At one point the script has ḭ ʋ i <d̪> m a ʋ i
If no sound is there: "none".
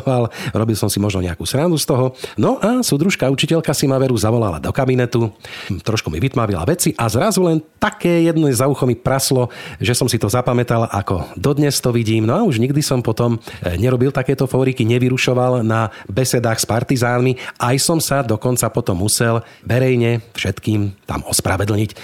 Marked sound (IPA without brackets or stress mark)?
t̪